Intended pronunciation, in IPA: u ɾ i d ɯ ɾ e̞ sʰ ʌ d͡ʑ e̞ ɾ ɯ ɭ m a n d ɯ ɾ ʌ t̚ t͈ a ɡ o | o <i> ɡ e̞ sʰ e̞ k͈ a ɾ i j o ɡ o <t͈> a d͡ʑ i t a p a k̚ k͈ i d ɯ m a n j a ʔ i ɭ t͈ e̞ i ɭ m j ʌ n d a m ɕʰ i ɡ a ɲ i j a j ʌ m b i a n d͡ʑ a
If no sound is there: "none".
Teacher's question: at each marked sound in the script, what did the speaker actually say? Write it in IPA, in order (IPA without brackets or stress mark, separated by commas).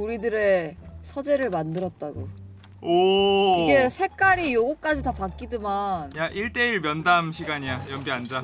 i, k͈